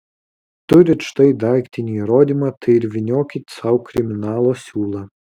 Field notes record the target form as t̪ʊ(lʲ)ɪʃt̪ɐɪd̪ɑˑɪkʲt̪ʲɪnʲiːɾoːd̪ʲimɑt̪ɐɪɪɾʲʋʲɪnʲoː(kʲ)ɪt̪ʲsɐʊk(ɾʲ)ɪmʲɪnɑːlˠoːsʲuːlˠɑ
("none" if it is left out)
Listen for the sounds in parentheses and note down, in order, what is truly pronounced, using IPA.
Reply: ɾʲ, kʲ, ɾʲ

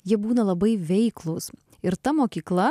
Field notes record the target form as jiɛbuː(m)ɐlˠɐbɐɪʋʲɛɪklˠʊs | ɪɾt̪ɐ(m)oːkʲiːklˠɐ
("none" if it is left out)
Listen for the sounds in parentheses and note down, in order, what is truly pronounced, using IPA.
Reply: n, m

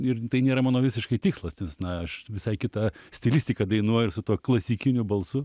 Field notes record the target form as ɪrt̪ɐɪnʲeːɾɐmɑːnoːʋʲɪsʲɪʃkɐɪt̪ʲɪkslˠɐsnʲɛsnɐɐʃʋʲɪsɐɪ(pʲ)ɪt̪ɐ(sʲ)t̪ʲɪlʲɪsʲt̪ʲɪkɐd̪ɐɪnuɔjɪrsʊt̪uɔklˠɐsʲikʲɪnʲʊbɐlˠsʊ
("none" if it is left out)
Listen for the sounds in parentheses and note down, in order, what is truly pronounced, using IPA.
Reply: kʲ, sʲ

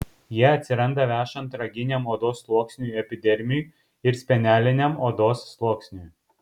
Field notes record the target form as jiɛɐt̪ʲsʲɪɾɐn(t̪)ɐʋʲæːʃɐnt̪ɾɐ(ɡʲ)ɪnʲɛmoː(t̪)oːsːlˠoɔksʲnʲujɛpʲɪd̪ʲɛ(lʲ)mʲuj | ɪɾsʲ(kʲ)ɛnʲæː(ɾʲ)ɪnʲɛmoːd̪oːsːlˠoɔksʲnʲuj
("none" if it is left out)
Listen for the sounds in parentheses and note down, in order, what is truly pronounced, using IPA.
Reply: d̪, ɡʲ, d̪, ɾʲ, pʲ, lʲ

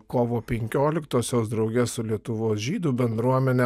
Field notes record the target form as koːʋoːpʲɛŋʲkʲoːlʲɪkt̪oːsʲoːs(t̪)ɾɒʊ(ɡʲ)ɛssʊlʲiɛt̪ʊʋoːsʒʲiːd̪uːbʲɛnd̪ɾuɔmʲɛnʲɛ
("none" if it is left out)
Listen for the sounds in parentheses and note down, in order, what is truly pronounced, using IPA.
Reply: d̪, ɡʲ

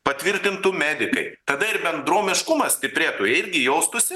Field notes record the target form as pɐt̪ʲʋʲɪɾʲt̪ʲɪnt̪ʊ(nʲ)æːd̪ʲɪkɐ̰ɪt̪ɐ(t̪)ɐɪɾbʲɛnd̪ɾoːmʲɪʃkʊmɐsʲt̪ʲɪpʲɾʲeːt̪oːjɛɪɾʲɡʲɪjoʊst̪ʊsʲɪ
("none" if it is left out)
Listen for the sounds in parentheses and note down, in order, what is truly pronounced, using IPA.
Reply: mʲ, d̪

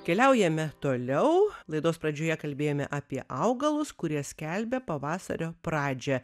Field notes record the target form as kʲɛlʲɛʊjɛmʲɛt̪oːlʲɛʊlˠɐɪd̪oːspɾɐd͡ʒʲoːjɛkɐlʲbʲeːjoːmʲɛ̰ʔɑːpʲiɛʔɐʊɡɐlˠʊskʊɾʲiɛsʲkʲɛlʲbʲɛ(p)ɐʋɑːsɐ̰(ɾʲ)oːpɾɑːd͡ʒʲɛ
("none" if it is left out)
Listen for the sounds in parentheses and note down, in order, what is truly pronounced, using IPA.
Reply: p, ɾʲ

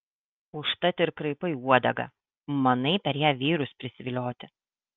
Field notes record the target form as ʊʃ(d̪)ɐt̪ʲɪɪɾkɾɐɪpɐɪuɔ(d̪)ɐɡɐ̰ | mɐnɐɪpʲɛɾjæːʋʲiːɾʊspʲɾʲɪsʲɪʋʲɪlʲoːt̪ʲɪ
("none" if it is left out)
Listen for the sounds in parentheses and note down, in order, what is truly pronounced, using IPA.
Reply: t̪, d̪

